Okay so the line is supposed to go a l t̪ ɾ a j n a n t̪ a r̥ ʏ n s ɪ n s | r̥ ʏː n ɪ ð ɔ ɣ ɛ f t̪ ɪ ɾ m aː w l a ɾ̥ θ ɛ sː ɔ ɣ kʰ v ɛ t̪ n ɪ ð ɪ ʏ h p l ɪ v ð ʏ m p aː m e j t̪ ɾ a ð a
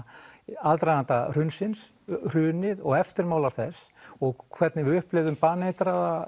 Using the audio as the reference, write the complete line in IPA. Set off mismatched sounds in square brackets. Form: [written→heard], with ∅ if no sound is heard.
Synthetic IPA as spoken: a l t̪ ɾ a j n a n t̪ a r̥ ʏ n s ɪ n s | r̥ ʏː n ɪ ð ɔ ɣ ɛ f t̪ ɪ ɾ m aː w l a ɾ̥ θ ɛ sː ɔ ɣ kʰ v ɛ t̪ n ɪ [ð→v] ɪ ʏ h p l ɪ v ð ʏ m p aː [m→n] e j t̪ ɾ a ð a